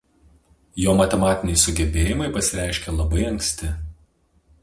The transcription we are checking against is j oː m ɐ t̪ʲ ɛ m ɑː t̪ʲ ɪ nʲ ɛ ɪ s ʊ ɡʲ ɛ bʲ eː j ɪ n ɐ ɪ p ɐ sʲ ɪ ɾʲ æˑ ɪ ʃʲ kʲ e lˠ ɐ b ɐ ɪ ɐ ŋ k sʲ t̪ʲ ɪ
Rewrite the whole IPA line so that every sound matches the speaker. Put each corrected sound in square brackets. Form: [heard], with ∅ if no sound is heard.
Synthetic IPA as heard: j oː m ɐ t̪ʲ ɛ m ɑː t̪ʲ ɪ nʲ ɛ ɪ s ʊ ɡʲ ɛ bʲ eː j ɪ [m] ɐ ɪ p ɐ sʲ ɪ ɾʲ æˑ ɪ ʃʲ kʲ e lˠ ɐ b ɐ ɪ ɐ ŋ k sʲ t̪ʲ ɪ